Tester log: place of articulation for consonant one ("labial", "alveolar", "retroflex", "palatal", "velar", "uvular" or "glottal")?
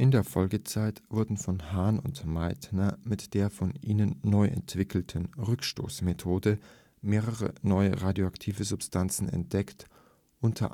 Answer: glottal